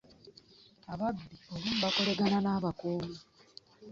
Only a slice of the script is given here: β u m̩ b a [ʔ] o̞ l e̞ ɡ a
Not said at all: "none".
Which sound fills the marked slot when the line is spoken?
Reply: k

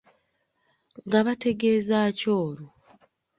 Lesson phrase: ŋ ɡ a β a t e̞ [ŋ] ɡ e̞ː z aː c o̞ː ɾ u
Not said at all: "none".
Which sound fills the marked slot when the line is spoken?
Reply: none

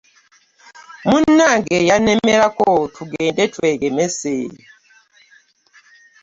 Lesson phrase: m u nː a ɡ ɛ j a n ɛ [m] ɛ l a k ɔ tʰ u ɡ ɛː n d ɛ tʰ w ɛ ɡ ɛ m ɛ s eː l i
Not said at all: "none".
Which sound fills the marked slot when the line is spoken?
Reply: m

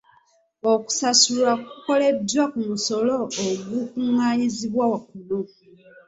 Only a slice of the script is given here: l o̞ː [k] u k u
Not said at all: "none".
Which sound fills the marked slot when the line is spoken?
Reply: ɡ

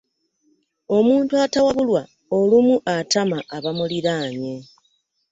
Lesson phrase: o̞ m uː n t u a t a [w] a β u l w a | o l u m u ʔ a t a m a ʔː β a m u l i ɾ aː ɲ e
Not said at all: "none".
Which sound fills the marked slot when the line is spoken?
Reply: w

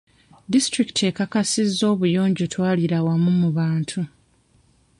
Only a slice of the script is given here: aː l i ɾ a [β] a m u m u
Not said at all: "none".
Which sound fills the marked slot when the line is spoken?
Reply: w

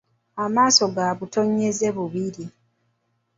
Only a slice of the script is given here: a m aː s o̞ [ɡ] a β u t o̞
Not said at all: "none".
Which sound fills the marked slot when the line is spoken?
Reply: ɡ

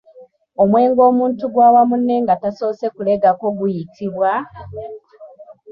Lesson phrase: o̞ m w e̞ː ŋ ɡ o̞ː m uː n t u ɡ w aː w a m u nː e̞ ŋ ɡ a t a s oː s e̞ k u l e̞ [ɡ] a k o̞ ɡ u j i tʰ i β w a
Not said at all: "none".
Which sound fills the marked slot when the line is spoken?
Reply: ɡ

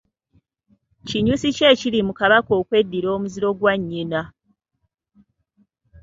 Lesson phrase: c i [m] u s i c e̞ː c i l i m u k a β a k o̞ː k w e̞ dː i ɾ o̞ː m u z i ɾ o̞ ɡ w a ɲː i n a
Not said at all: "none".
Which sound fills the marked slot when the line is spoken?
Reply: ɲ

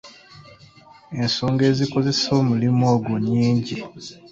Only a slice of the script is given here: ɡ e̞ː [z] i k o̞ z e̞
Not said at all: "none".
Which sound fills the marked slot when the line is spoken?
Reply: z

